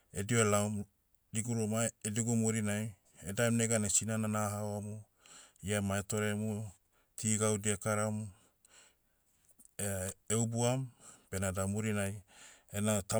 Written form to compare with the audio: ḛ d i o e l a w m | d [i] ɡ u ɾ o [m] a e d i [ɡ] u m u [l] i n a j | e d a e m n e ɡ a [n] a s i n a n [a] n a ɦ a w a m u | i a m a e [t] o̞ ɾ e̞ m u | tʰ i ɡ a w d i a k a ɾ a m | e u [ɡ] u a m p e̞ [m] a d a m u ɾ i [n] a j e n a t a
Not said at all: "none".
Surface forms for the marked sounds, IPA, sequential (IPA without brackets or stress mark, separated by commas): i, m, ɡ, ɾ, n, a, t, b, n, n